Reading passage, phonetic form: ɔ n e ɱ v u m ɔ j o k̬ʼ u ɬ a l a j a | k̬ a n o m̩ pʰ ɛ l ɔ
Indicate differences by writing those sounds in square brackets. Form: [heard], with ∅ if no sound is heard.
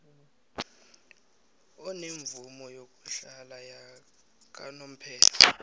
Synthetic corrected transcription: ɔ n e ɱ v u m ɔ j o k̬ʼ u ɬ a l a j a | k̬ a n o m̩ pʰ [ɛː] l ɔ